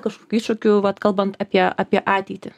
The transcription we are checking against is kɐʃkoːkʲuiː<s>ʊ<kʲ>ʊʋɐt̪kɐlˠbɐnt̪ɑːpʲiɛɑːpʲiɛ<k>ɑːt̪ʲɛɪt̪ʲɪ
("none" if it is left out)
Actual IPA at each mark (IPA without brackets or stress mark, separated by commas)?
ʃ, kʲ, ʔ